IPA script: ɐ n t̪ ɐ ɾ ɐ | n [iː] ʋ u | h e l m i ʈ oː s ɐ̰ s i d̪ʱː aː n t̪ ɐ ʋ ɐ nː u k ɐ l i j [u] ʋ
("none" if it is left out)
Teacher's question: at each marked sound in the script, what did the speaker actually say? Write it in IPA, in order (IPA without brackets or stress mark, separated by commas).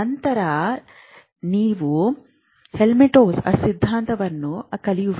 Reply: iː, u